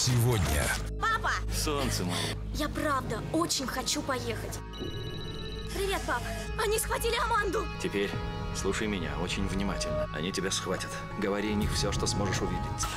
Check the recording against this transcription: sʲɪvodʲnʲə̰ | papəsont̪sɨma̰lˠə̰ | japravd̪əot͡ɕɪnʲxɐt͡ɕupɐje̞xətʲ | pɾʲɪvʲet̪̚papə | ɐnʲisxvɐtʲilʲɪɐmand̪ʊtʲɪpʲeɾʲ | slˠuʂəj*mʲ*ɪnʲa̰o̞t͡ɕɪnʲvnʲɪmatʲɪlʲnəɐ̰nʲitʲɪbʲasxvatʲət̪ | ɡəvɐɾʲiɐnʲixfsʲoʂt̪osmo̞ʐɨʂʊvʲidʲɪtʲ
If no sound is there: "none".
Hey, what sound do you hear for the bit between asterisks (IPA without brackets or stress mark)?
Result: mʲ